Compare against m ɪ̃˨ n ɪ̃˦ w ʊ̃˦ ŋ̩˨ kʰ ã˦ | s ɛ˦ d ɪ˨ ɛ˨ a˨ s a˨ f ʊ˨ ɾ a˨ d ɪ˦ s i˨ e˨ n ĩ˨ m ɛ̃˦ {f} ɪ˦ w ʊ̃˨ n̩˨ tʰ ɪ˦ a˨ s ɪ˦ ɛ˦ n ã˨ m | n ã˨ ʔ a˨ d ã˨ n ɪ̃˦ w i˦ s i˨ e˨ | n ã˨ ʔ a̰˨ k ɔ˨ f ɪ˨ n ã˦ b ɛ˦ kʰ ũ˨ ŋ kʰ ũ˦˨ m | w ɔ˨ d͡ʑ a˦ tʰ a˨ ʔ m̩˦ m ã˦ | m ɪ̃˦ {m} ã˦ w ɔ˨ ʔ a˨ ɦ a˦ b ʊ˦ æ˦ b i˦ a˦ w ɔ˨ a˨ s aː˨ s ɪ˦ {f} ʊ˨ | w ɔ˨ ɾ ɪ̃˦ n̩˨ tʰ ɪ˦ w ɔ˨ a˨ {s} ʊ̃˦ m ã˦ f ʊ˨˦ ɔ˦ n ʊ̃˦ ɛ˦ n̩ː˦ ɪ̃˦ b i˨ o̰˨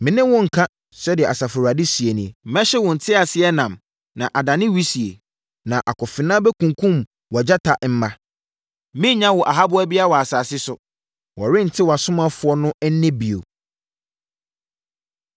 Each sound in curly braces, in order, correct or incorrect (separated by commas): incorrect, incorrect, incorrect, correct